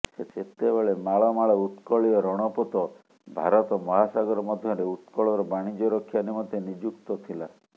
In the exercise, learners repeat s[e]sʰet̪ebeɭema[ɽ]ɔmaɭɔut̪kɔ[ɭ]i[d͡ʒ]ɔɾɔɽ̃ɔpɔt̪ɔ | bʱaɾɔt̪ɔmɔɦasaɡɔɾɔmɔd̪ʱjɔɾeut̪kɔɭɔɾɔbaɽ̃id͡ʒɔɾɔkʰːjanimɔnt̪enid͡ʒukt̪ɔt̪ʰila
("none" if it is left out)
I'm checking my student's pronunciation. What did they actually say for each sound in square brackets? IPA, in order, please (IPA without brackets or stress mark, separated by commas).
e, ɭ, ɭ, none